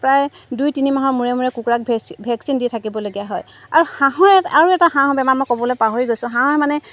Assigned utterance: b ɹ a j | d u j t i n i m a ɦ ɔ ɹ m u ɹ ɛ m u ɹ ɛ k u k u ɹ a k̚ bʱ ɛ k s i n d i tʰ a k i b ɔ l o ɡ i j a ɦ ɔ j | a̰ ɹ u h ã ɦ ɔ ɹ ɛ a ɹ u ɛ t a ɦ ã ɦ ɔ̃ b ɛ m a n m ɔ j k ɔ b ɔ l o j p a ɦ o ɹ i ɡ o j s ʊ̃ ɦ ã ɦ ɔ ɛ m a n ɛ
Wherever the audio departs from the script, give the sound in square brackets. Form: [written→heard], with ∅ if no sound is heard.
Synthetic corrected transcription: [b→p] ɹ a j | d u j t i n i m a ɦ ɔ ɹ m u ɹ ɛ m u ɹ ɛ k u k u ɹ a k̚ bʱ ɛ k s i n d i tʰ a k i b ɔ l o ɡ i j a ɦ ɔ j | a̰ ɹ u h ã ɦ ɔ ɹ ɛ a ɹ u ɛ t a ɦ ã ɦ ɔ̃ b ɛ m a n m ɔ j k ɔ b ɔ l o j p a ɦ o ɹ i ɡ o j s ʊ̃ ɦ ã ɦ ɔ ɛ m a n ɛ

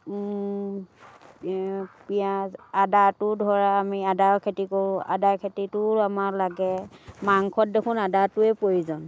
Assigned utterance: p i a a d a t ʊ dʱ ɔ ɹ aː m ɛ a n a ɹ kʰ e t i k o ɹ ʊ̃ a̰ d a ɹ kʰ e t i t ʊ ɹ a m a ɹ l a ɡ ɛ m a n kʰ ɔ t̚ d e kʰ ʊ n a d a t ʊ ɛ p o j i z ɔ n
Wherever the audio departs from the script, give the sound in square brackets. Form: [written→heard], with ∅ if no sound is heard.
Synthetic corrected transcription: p i a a d a t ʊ dʱ ɔ ɹ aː m [ɛ→i] a [n→d] a ɹ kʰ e t i k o ɹ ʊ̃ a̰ d a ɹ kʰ e t i t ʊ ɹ a m a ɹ l a ɡ ɛ m a [n→ŋ] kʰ ɔ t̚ d e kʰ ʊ n a d a t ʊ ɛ p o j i z ɔ n

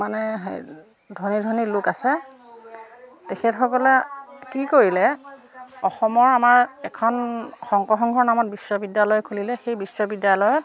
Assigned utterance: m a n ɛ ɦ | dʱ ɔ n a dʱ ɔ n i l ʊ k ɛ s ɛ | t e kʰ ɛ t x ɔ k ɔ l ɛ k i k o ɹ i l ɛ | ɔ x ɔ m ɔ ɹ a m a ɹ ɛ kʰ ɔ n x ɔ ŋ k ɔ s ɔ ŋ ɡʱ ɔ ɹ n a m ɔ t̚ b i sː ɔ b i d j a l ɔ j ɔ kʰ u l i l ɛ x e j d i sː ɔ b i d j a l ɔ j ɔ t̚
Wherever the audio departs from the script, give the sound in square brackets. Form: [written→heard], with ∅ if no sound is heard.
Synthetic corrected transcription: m a n ɛ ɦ | dʱ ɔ n [a→i] dʱ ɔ n i l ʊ k [ɛ→a] s ɛ | t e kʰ ɛ t x ɔ k ɔ l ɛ k i k o ɹ i l ɛ | ɔ x ɔ m ɔ ɹ a m a ɹ ɛ kʰ ɔ n x ɔ ŋ k ɔ [s→x] ɔ ŋ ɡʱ ɔ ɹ n a m ɔ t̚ b i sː ɔ b i d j a l ɔ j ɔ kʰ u l i l ɛ x e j [d→b] i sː ɔ b i d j a l ɔ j ɔ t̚

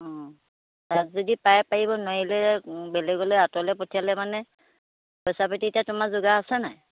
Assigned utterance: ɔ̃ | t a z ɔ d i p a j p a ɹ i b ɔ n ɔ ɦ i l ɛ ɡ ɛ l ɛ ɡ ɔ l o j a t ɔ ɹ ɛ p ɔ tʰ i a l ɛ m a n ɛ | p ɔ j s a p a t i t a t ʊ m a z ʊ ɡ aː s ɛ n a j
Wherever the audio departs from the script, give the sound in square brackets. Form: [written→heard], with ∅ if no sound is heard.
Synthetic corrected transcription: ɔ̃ | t a z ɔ d i p a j p a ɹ i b ɔ n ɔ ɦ i l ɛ [ɡ→b] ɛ l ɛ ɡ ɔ l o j a t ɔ [ɹ→l] ɛ p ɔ tʰ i a l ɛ m a n ɛ | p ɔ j s a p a t i t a t ʊ m a z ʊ ɡ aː s ɛ n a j

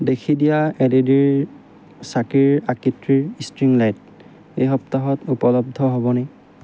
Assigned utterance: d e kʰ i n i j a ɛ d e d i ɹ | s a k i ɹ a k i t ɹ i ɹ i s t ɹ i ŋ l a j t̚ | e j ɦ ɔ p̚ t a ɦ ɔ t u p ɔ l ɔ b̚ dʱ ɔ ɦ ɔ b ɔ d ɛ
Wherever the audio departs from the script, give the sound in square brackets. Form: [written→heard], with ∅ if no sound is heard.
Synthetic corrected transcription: d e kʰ i [n→d] i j a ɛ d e d i ɹ | s a k i ɹ a k i t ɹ i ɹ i s t ɹ i ŋ l a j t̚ | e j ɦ ɔ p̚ t a ɦ ɔ t u p ɔ l ɔ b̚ dʱ ɔ ɦ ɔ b ɔ [d→n] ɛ

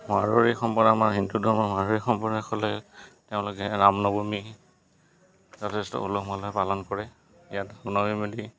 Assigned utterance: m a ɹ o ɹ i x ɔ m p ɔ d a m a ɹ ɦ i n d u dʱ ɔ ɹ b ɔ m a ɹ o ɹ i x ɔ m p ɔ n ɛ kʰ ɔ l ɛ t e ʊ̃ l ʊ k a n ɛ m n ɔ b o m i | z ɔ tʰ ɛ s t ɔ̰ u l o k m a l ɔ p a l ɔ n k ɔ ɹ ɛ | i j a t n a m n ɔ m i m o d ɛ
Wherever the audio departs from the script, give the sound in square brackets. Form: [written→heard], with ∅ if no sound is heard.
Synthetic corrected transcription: m a ɹ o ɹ i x ɔ m p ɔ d a m a ɹ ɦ i n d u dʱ ɔ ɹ [b→m] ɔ m a ɹ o ɹ i x ɔ m p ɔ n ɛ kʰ ɔ l ɛ t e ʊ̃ l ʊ k [a→ɛ] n [ɛ→a] m n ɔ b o m i | z ɔ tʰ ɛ s t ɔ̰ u l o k m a l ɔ p a l ɔ n k ɔ ɹ ɛ | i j a t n a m n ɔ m i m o d [ɛ→i]

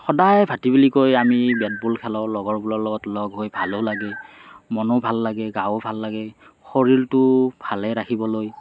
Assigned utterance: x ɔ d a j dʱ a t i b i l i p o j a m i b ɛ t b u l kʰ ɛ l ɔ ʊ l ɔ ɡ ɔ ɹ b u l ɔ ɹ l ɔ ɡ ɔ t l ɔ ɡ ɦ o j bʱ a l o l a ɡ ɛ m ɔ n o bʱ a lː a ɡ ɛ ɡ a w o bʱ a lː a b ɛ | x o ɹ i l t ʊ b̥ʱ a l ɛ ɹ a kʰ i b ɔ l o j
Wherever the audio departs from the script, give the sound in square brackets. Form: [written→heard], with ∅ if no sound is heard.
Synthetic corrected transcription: x ɔ d a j [dʱ→bʱ] a t i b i l i [p→k] o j a m i b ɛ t b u l kʰ ɛ l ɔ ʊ l ɔ ɡ ɔ ɹ b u l ɔ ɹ l ɔ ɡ ɔ t l ɔ ɡ ɦ o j bʱ a l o l a ɡ ɛ m ɔ n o bʱ a lː a ɡ ɛ ɡ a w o bʱ a lː a [b→ɡ] ɛ | x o ɹ i l t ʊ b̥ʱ a l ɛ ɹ a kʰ i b ɔ l o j

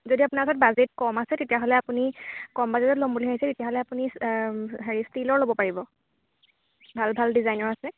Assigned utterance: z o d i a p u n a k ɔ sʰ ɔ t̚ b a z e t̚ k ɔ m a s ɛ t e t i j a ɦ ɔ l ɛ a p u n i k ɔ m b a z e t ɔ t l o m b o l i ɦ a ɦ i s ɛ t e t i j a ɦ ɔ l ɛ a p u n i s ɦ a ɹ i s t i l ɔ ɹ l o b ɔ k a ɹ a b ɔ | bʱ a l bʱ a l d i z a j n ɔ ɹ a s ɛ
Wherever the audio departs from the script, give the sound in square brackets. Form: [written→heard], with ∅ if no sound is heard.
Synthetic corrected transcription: z o d i a p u n a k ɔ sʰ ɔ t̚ b a z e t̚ k ɔ m a s ɛ t e t i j a ɦ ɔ l ɛ a p u n i k ɔ m b a z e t ɔ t l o m b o l i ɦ a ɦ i s ɛ t e t i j a ɦ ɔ l ɛ a p u n i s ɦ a ɹ i s t i l ɔ ɹ l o b ɔ [k→p] a ɹ [a→i] b ɔ | bʱ a l bʱ a l d i z a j n ɔ ɹ a s ɛ

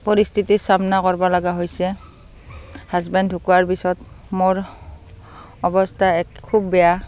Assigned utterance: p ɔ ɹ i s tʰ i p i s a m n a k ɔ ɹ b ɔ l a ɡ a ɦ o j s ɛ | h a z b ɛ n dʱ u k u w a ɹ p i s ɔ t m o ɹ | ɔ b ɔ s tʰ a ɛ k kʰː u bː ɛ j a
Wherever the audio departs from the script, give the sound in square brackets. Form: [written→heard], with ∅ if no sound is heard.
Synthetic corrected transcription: p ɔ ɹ i s tʰ i [p→t] i s a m n a k ɔ ɹ b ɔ l a ɡ a ɦ o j s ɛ | h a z b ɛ n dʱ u k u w a ɹ p i s ɔ t m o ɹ | ɔ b ɔ s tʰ a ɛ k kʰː u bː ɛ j a

